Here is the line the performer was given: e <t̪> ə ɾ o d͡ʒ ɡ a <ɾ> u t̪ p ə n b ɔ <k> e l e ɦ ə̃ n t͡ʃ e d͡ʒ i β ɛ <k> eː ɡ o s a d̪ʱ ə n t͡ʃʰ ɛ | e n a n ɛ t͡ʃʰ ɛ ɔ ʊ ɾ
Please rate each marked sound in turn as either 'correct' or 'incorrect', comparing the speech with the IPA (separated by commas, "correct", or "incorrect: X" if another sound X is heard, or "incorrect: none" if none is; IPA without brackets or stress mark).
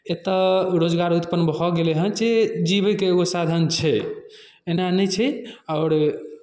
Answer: correct, correct, incorrect: ɡ, correct